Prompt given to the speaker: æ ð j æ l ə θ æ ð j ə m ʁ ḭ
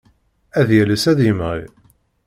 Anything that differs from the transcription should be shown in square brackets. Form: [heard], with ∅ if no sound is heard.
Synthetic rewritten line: æ ð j æ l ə [s] æ ð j ə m ʁ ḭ